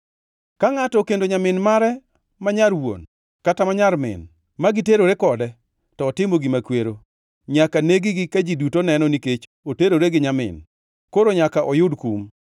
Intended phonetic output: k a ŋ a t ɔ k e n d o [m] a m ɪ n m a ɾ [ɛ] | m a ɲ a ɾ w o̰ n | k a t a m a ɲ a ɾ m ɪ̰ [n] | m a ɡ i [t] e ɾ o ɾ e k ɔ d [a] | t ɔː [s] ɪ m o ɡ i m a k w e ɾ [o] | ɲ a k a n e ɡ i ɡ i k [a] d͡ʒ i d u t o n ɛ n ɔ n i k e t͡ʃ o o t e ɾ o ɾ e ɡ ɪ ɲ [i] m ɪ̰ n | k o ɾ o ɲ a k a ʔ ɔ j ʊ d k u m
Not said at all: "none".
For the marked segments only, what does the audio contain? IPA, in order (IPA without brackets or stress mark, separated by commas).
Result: ɲ, ɛ, n, t, ɛ, t, o, a, a